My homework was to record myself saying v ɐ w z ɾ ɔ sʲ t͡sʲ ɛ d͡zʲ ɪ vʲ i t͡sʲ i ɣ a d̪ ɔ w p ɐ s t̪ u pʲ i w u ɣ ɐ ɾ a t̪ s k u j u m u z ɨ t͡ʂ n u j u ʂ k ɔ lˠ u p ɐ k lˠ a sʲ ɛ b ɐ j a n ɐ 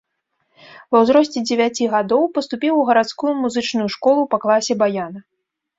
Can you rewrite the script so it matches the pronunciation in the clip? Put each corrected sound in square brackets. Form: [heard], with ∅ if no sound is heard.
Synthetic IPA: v ɐ w z ɾ ɔ sʲ t͡sʲ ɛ d͡zʲ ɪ vʲ [a] t͡sʲ i ɣ a d̪ ɔ w p ɐ s t̪ u pʲ i w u ɣ ɐ ɾ a t̪ s k u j u m u z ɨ t͡ʂ n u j u ʂ k ɔ lˠ u p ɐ k lˠ a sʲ ɛ b [a] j a n ɐ